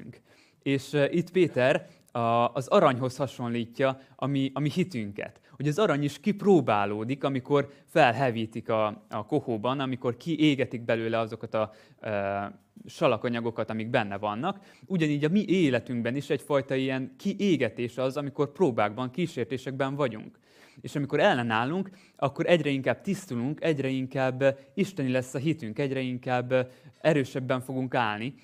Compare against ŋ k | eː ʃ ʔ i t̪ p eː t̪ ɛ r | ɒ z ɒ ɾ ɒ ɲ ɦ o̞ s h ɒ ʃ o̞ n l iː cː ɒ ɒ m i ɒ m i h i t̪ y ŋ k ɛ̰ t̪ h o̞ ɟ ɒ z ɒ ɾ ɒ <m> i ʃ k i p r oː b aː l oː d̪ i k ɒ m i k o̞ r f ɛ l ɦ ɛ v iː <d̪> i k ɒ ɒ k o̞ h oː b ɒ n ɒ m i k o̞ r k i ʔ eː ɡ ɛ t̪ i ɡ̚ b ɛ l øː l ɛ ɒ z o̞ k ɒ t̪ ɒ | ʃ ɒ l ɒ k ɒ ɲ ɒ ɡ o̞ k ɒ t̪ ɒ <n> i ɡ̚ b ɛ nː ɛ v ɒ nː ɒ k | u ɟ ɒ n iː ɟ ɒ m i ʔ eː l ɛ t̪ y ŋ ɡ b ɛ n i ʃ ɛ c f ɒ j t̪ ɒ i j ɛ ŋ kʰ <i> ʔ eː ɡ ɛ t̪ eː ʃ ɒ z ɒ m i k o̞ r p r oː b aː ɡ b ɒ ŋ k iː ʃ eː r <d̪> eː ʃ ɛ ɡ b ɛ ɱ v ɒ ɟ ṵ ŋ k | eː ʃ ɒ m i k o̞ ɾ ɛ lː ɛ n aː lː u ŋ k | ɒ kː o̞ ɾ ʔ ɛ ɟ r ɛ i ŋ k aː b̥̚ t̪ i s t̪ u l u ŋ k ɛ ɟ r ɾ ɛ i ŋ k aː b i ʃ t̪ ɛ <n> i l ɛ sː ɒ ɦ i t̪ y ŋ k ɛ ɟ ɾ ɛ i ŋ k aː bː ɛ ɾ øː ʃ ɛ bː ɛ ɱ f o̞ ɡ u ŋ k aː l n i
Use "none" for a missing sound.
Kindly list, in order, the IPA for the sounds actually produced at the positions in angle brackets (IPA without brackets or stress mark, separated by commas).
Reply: ɲ, t̪, m, i, t̪, n